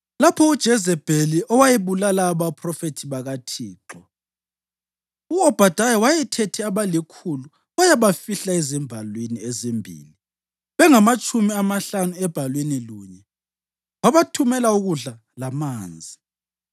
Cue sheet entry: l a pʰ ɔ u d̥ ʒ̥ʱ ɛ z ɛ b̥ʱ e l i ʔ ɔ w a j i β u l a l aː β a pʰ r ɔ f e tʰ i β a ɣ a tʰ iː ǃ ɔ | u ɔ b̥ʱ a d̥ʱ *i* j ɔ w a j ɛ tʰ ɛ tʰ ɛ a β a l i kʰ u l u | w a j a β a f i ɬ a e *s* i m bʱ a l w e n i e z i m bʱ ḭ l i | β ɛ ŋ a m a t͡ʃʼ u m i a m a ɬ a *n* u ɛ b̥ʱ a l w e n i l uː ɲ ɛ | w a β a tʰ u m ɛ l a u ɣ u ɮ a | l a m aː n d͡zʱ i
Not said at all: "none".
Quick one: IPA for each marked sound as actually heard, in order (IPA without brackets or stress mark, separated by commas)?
a, z, n